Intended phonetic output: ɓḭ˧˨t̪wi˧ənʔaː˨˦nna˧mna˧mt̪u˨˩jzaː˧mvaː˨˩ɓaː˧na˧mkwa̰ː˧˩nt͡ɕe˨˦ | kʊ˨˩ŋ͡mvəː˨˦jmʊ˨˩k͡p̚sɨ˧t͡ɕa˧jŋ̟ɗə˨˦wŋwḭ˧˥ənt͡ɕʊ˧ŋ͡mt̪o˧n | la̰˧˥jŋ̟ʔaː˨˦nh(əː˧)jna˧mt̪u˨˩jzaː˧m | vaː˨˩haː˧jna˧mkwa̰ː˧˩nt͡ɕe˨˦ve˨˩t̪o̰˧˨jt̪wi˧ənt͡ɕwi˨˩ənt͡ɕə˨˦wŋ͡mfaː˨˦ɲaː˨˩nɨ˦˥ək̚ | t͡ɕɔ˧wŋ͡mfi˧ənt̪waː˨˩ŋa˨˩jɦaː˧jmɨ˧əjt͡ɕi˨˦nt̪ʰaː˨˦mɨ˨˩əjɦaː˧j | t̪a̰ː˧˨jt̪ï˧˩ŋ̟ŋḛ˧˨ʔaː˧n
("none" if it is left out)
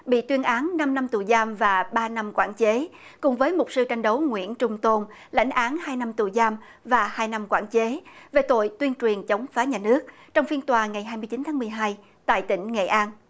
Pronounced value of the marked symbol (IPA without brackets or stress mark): aː˧